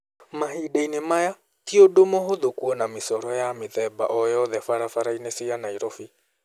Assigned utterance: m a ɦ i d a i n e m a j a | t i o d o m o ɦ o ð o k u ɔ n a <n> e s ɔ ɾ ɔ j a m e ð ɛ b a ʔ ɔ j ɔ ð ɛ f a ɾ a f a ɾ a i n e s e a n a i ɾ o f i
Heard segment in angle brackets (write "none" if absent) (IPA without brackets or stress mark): m